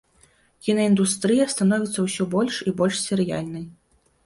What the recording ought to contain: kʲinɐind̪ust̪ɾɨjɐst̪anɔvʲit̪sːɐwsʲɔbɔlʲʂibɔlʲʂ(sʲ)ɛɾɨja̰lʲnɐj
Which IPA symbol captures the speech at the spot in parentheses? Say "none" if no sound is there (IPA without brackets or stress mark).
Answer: sʲ